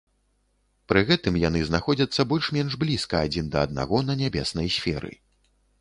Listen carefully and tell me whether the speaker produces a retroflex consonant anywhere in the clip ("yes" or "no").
yes